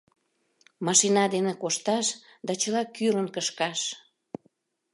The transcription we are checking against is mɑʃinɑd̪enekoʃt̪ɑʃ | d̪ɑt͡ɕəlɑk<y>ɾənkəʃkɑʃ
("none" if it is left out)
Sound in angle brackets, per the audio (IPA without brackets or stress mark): y